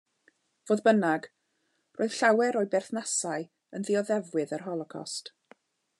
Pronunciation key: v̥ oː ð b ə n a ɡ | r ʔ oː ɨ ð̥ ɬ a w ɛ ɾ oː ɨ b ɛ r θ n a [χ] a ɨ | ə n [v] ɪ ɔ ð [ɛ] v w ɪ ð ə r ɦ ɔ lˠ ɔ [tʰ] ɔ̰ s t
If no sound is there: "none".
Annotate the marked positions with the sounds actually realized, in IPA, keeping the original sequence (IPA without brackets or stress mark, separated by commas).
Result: s, ð, ɛ, kʰ